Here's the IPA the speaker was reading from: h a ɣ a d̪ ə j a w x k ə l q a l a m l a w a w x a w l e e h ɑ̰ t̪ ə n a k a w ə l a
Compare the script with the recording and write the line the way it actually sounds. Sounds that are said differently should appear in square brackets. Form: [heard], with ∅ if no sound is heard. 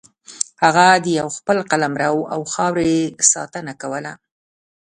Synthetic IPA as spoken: h a ɣ a d̪ ə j a w x [p] ə l q a l a m [ɾ] a w a w x [ɑ] w [ɾ] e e [s] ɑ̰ t̪ ə n a k a w ə l a